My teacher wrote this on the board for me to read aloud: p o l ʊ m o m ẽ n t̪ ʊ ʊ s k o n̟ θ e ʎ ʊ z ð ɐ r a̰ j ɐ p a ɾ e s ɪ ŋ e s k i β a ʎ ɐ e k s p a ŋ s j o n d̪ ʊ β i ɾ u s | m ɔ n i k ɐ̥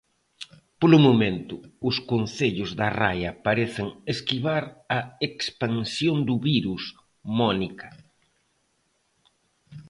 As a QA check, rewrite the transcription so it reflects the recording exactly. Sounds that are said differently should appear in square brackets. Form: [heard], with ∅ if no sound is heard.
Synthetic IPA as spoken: p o l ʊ m o m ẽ n t̪ ʊ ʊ s k o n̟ θ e ʎ ʊ z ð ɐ r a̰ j ɐ p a ɾ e [θ] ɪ ŋ e s k i β a [ɾ] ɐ e k s p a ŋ s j o n d̪ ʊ β i ɾ u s | m ɔ n i k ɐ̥